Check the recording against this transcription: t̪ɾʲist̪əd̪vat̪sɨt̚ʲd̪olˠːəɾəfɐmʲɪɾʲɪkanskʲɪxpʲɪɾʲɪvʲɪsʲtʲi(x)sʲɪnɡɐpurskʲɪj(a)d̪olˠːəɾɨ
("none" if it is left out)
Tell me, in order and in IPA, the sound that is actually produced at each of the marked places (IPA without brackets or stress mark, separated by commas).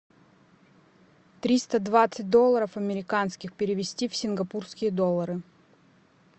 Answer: f, ə